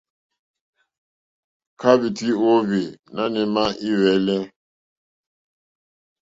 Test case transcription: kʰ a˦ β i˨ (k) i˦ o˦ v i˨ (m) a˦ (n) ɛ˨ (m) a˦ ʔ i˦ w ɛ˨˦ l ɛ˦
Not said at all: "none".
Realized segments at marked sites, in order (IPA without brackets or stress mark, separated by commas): t, n, n, m